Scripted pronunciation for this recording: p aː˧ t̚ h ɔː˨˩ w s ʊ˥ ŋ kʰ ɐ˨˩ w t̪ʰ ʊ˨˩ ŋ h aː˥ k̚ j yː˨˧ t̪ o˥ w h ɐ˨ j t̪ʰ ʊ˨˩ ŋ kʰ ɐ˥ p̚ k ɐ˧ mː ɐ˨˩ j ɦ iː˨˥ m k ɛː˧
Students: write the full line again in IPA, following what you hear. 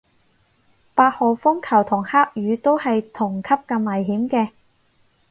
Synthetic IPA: p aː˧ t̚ h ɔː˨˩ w f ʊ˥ ŋ kʰ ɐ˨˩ w t̪ʰ ʊ˨˩ ŋ h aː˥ k̚ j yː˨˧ t̪ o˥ w h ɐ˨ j t̪ʰ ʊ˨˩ ŋ kʰ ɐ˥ p̚ k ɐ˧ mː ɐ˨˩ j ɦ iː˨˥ m k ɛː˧